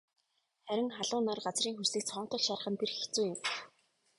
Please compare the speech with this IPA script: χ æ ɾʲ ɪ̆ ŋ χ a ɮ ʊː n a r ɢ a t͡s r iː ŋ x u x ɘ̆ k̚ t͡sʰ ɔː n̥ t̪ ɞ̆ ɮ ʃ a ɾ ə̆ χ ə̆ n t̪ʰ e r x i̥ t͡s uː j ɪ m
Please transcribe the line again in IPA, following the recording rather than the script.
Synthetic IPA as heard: χ æ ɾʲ ɪ̆ ŋ χ a ɮ ʊː n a r ɢ a t͡s r iː ŋ x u s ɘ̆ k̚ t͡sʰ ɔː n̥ t̪ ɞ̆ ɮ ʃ a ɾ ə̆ χ ə̆ n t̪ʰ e r x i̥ t͡s uː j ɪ m